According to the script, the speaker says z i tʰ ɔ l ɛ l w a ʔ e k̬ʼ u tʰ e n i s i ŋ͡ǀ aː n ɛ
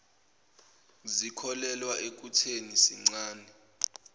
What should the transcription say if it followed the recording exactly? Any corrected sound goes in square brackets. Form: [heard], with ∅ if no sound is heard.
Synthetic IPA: z i [kʰ] ɔ l ɛ l w a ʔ e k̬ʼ u tʰ e n i s i ŋ͡ǀ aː n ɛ

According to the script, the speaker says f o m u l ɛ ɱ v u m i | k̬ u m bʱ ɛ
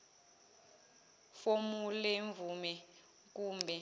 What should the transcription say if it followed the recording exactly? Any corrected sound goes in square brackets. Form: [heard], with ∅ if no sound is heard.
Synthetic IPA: f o m u l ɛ ɱ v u m [ɛ] | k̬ [uː] m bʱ ɛ

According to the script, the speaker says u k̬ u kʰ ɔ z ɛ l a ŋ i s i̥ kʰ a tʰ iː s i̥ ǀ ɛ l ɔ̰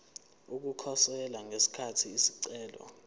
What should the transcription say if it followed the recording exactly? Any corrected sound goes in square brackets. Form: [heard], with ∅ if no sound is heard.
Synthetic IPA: u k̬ u kʰ ɔ [s] ɛ l a ŋ [e] s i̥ kʰ a tʰ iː s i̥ ǀ [ɛː] l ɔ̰

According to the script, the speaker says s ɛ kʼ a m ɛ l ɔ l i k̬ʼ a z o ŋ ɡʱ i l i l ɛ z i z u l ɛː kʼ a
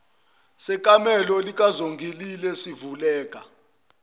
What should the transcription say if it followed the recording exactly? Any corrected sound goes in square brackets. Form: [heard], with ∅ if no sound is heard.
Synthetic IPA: s ɛ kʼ a m ɛ l ɔ l i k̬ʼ a z o ŋ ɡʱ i l i l ɛ [s] i [v] u l ɛː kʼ a

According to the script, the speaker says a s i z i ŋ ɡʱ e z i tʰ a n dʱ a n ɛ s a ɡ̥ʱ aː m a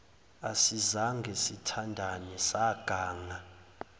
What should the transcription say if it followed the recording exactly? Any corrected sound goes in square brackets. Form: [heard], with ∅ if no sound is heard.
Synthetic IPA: a s i z [a] ŋ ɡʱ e [s] i tʰ a n dʱ a n ɛ s a ɡ̥ʱ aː [ŋ] a

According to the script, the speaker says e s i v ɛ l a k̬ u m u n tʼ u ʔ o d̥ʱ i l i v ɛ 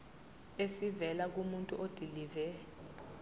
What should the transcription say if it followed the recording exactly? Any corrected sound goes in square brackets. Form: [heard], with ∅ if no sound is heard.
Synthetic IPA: e s i v ɛ l a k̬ u m u n tʼ u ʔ o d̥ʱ i l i v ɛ

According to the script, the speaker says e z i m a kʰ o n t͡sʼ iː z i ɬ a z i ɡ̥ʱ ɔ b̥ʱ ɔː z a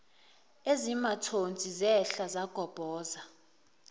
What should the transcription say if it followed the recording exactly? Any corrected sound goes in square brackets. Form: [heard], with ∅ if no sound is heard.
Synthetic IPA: e z i m a [tʰ] o n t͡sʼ [i] z [ɛ] ɬ a z [a] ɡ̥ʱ ɔ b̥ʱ ɔː z a

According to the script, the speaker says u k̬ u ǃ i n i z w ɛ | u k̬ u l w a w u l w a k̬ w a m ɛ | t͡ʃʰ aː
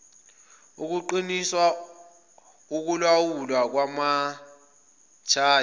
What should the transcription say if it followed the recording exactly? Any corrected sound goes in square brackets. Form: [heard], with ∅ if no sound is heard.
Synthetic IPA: u k̬ u ǃ i n i [s] w [a] | u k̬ u l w a w u l w a k̬ w a m [a] | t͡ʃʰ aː

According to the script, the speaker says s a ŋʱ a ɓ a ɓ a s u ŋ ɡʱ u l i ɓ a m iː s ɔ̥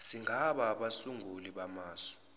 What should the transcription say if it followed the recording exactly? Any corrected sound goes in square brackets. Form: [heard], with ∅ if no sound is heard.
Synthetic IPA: s [i] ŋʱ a ɓ a ɓ a s u ŋ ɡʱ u l i ɓ a m [aː] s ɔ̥

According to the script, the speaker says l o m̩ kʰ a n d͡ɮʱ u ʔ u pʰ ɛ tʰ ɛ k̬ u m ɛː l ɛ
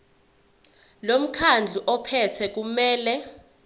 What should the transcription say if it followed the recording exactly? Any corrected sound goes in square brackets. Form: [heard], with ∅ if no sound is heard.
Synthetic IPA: l o m̩ kʰ a n d͡ɮʱ u ʔ [ɔ] pʰ ɛ tʰ ɛ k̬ u m ɛː l ɛ

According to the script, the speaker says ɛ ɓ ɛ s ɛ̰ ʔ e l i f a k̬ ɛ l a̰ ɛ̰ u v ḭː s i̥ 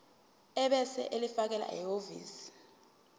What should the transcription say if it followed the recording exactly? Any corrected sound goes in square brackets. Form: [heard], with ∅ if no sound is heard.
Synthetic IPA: ɛ ɓ ɛ s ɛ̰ ʔ e l i f a k̬ ɛ l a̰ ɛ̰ [o] v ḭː s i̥

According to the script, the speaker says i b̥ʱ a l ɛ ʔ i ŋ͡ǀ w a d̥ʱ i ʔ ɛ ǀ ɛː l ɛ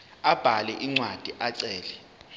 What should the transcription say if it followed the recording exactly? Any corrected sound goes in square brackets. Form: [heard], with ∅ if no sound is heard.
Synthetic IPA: [a] b̥ʱ a l ɛ ʔ i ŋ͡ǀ w a d̥ʱ i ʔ [a] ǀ ɛː l ɛ

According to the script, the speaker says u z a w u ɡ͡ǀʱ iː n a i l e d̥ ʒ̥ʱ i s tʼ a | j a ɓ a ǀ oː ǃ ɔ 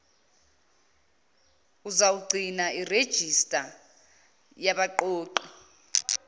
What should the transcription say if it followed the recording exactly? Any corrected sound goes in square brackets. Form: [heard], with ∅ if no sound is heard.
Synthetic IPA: u z a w u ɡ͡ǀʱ [i] n a i [r] e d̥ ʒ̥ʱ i s tʼ a | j a ɓ a [ǃ] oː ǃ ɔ

